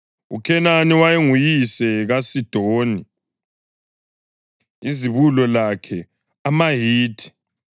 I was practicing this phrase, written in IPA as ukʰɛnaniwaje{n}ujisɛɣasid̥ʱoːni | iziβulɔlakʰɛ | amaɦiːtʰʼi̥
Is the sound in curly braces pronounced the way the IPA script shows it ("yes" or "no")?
no